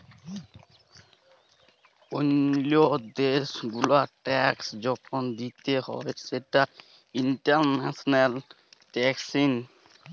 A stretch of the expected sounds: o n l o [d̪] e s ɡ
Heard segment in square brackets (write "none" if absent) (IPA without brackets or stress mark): d̪